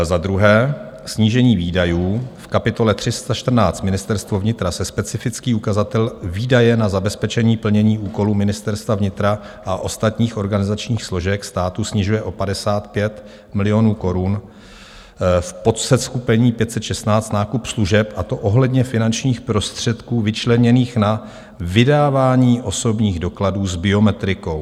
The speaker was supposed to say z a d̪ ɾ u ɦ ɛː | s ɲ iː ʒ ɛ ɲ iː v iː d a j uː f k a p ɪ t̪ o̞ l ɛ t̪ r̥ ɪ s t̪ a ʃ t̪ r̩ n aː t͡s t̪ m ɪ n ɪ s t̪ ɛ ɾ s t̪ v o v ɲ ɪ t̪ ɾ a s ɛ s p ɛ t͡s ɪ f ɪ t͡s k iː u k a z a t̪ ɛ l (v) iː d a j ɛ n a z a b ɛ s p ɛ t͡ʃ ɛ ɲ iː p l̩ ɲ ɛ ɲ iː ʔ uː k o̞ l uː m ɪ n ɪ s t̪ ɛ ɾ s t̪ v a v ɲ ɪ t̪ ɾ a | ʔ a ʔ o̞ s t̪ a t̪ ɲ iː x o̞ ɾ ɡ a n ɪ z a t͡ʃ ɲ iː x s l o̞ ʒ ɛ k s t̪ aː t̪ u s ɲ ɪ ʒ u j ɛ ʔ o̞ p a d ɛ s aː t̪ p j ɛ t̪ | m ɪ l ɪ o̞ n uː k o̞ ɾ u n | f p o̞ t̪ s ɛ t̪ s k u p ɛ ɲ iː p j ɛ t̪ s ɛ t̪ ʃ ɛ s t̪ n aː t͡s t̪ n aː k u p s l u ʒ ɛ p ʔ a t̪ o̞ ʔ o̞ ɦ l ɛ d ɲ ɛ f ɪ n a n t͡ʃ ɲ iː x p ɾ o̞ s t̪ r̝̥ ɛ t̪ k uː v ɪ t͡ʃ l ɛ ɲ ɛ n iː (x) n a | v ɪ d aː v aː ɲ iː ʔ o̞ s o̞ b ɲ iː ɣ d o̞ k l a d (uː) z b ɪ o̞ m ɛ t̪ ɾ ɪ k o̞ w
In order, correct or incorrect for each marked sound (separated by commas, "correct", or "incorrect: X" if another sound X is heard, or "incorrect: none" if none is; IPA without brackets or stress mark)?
correct, correct, correct